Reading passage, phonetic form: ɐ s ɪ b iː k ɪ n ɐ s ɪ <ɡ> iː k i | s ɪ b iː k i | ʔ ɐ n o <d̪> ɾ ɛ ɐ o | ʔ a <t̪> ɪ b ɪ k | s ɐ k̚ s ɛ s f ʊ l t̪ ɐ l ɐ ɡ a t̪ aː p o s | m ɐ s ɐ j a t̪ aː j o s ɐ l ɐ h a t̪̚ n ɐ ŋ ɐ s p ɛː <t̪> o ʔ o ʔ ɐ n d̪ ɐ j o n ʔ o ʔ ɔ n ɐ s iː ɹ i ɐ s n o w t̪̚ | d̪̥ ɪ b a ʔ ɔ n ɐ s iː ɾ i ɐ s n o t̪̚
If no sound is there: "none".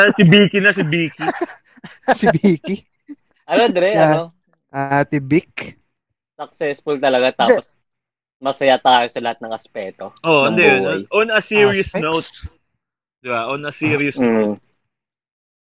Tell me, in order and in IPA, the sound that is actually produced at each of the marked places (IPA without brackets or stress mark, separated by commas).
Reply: b, d̪, t̪, t̪